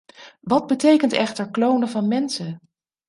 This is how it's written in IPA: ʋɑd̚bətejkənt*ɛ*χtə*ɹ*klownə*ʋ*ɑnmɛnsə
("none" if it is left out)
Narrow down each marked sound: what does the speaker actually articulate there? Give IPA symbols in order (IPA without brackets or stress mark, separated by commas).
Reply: ɛ, ɹ, v